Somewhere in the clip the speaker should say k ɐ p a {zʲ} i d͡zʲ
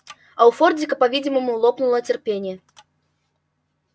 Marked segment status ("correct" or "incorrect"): incorrect